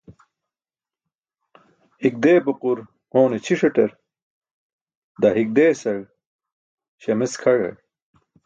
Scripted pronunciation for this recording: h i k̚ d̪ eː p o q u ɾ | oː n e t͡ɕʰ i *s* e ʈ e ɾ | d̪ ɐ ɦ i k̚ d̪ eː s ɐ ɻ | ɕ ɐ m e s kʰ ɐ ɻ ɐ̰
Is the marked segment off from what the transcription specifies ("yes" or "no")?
yes